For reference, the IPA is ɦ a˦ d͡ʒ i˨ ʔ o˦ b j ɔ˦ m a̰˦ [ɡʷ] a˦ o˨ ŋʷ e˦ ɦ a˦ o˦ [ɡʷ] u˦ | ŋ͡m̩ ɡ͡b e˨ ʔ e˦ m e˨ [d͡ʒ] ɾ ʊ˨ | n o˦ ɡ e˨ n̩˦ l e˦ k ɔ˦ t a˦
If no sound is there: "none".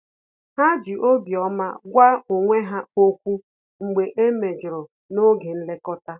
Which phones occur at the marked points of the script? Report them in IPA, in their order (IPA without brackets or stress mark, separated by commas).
ɡʷ, kʷ, d͡ʒ